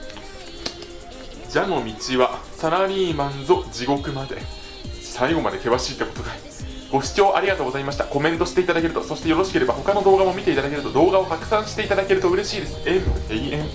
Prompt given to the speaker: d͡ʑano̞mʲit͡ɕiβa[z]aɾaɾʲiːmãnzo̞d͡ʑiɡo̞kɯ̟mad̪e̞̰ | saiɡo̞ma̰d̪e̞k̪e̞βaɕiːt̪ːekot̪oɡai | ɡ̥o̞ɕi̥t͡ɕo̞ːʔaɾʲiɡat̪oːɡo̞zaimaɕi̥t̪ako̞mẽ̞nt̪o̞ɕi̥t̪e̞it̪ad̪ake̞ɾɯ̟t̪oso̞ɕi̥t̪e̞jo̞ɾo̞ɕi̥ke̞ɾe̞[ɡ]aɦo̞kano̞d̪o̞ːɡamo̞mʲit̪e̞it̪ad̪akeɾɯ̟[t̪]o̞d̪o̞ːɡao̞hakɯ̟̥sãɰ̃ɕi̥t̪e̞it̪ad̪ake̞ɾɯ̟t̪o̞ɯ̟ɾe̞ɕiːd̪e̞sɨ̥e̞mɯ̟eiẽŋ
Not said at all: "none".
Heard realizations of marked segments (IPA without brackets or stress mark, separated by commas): s, b, t̪